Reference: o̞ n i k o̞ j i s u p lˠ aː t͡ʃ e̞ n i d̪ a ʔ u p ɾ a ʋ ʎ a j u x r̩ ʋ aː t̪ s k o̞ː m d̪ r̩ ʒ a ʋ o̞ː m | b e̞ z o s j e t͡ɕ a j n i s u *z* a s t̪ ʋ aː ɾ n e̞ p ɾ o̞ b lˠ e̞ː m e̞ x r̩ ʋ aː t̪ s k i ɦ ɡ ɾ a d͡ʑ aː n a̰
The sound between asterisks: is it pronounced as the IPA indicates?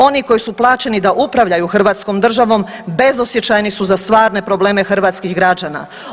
yes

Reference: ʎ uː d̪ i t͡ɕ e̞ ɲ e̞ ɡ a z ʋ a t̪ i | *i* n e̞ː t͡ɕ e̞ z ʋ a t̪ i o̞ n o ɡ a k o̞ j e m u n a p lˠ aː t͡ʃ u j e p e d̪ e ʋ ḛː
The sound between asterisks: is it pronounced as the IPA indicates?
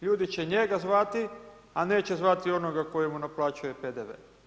no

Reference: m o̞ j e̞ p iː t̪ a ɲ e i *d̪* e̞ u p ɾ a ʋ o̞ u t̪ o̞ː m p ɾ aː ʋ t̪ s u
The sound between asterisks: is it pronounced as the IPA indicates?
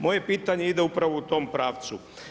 yes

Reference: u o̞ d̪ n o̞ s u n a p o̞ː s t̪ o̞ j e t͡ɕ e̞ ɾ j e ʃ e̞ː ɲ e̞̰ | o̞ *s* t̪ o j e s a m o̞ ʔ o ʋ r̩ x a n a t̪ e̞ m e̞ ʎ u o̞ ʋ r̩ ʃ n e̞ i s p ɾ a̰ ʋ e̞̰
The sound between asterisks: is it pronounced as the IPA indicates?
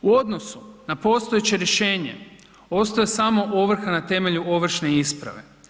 yes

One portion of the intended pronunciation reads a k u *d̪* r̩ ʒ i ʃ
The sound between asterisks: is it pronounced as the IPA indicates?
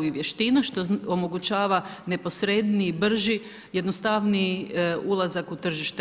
no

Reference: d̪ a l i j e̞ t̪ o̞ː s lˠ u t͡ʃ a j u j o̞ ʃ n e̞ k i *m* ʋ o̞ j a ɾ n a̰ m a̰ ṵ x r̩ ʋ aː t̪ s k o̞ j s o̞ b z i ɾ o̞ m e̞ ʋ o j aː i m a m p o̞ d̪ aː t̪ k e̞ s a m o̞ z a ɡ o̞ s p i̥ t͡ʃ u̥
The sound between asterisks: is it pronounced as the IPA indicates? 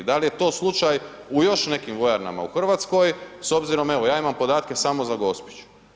yes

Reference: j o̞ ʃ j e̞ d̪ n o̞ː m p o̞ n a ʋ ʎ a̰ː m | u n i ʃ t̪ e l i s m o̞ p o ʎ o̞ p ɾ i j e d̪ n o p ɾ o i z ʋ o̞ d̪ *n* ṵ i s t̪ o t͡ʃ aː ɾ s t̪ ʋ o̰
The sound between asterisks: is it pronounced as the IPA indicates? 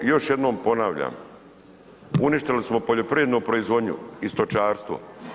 no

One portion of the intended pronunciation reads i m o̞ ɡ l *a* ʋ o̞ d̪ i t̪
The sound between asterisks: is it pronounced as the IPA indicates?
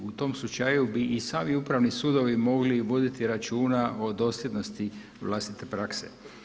no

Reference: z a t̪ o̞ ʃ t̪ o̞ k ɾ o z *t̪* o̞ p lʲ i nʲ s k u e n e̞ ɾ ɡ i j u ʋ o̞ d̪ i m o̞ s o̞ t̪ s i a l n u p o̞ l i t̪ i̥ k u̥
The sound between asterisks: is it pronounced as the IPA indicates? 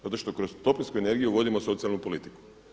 yes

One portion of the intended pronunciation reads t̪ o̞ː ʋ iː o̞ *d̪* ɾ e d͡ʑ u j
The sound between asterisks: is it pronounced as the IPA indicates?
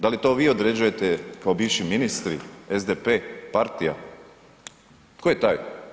yes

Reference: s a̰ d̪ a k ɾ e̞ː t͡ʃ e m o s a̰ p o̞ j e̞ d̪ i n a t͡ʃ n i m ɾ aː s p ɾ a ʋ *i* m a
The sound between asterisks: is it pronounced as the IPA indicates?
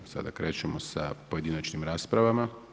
no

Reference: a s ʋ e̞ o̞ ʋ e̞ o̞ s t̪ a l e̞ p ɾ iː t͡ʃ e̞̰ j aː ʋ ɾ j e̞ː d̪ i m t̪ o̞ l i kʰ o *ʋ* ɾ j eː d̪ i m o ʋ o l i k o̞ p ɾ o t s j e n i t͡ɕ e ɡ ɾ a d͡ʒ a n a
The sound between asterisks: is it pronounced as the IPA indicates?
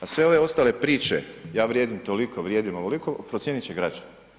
yes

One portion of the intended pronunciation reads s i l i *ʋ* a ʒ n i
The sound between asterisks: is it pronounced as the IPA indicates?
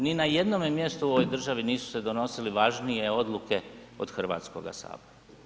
yes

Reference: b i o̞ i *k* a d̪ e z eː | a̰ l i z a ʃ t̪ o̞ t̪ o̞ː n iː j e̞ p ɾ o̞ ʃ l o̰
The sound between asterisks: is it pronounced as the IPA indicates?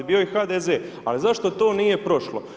no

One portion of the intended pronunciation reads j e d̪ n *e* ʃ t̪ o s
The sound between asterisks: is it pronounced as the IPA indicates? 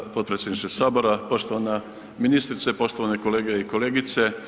no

